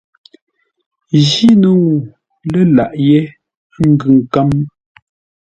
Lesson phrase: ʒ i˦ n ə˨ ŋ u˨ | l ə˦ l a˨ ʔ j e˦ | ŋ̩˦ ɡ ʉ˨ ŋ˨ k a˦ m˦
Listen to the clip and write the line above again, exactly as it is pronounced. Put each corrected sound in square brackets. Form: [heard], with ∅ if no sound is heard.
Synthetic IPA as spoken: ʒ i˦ n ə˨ ŋ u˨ | l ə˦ l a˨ ʔ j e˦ | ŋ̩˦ ɡ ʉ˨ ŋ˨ k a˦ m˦